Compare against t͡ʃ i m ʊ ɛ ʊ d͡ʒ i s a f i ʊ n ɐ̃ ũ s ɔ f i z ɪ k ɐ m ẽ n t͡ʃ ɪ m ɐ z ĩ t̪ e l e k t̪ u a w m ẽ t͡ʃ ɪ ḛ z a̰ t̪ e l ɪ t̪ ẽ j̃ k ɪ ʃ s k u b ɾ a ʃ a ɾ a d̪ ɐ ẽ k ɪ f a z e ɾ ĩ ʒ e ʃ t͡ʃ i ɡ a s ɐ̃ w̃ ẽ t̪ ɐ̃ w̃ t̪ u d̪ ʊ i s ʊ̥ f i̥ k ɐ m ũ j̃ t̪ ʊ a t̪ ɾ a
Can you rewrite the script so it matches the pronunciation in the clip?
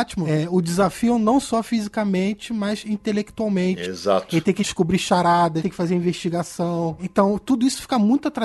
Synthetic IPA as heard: t͡ʃ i m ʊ ɛ ʊ d͡ʒ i z a f i ʊ n ɐ̃ w̃ s ɔ f i z i k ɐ m ẽ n t͡ʃ ɪ m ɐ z ĩ t̪ e l e k t̪ u a w m ẽ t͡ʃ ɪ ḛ z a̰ t̪ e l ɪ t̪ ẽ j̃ k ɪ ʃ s k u b ɾ i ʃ a ɾ a d̪ ɐ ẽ k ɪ f a z e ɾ ĩ v e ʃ t͡ʃ i ɡ a s ɐ̃ w̃ ẽ t̪ ɐ̃ w̃ t̪ u d̪ ʊ i s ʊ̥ f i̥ k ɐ m ũ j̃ t̪ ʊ a t̪ ɾ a